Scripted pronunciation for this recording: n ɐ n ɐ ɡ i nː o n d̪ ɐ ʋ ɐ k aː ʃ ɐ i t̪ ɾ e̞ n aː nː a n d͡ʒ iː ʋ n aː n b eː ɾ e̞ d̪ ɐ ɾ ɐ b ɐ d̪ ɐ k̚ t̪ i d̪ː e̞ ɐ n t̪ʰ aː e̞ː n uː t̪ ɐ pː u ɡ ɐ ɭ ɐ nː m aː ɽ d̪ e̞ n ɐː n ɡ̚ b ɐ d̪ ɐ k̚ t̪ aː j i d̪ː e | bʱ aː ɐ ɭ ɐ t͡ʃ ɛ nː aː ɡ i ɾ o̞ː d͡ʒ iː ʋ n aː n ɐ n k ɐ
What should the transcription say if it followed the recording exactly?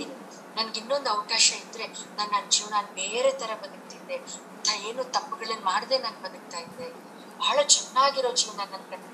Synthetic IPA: n ɐ n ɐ ɡ i nː o n d̪ ɐ ʋ ɐ k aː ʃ ɐ i d̪ ɾ e̞ n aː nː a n d͡ʒ iː ʋ n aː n b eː ɾ e̞ t̪ ɐ ɾ ɐ b ɐ d̪ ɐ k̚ t̪ i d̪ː e̞ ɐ n t̪ʰ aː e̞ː n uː t̪ ɐ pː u ɡ ɐ ɭ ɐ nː m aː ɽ d̪ e̞ n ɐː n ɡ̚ b ɐ d̪ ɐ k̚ t̪ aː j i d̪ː e | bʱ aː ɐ ɭ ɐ t͡ʃ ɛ nː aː ɡ i ɾ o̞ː d͡ʒ iː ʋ n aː n ɐ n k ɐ